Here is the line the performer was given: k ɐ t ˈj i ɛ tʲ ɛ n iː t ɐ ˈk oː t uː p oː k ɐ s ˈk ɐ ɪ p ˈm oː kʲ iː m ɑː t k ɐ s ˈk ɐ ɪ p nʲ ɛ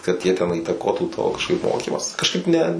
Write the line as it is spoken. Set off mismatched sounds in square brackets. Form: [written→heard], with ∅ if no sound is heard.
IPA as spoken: k ɐ t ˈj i ɛ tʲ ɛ n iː t ɐ ˈk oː t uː [p→t] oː k ɐ [s→ʃ] ˈk ɐ ɪ p ˈm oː kʲ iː m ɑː [t→s] k ɐ [s→ʃ] ˈk ɐ ɪ p nʲ ɛ